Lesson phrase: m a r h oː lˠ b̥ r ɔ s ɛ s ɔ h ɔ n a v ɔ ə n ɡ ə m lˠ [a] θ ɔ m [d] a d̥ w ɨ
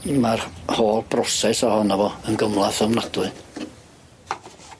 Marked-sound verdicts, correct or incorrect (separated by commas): correct, incorrect